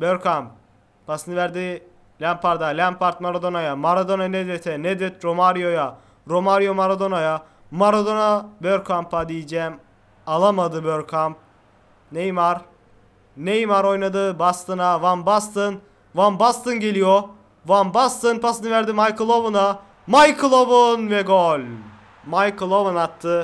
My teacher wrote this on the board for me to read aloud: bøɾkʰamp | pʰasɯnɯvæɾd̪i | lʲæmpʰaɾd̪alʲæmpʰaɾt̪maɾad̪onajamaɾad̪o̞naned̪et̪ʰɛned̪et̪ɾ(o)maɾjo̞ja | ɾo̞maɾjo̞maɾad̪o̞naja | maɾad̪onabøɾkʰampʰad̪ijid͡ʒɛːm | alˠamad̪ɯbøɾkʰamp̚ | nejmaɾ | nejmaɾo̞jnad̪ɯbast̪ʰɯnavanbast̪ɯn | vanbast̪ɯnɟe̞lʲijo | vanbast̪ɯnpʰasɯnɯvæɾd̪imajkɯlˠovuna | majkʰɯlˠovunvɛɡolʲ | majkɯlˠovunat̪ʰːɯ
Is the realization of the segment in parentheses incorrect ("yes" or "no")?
no